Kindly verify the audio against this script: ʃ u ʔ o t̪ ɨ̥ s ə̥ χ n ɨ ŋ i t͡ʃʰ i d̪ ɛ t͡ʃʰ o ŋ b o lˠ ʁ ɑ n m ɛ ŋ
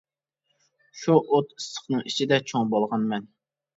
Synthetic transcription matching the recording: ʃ u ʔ o t̪ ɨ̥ s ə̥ χ n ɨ ŋ i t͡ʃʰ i d̪ ɛ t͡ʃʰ o ŋ b o lˠ ʁ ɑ n m ɛ n